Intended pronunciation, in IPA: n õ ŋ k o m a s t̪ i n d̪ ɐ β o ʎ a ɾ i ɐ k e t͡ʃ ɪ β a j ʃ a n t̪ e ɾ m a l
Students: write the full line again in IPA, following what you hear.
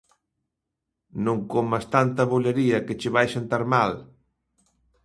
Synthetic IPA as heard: n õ ŋ k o m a s t̪ a n t̪ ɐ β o ʎ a ɾ i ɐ k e t͡ʃ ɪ β a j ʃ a n t̪ a ɾ m a l

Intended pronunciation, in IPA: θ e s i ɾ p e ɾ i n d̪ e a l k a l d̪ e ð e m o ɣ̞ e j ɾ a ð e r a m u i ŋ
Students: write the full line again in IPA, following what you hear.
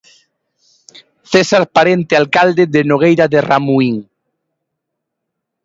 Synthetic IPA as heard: θ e s a ɾ p a ɾ e n t̪ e a l k a l d̪ e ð e n o ɣ̞ e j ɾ a ð e r a m u i ŋ

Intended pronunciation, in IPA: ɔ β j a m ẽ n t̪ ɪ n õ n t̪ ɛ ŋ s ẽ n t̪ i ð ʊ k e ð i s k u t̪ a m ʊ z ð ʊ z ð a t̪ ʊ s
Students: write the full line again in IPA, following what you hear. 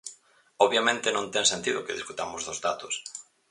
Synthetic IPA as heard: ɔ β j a m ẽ n t̪ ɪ n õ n t̪ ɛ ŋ s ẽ n t̪ i ð ʊ k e ð i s k u t̪ a m ʊ z ð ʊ z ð a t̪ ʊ s

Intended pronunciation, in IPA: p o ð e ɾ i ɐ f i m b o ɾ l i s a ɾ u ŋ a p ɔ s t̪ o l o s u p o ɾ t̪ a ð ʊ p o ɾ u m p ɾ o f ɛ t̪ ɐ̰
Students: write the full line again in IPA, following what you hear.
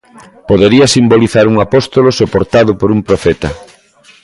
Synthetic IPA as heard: p o ð e ɾ i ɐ s i m b o l i θ a ɾ u ŋ a p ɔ s t̪ o l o s o p o ɾ t̪ a ð ʊ p o ɾ u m p ɾ o f ɛ t̪ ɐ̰

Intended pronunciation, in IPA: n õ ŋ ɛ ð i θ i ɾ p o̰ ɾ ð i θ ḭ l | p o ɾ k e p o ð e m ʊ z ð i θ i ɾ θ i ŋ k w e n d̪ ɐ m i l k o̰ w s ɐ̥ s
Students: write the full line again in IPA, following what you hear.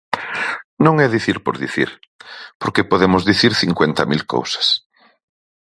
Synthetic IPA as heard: n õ ŋ ɛ ð i θ i ɾ p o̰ ɾ ð i θ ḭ ɾ | p o ɾ k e p o ð e m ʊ z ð i θ i ɾ θ i ŋ k w e n t̪ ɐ m i l k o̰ w s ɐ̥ s

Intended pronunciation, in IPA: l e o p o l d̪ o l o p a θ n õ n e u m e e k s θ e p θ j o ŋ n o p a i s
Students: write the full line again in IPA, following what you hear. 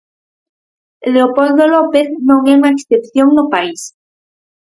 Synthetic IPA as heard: l e o p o l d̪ o l o p e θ n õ ŋ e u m a e k s θ e p θ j o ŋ n o p a i s

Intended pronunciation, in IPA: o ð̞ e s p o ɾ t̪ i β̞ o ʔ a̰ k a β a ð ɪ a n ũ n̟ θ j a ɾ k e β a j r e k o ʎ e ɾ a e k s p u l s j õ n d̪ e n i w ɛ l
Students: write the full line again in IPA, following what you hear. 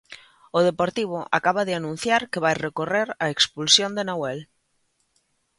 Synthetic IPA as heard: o ð̞ e p o ɾ t̪ i β̞ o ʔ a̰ k a β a ð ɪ a n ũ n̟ θ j a ɾ k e β a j r e k o r e ɾ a e k s p u l s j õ n d̪ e n a w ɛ l

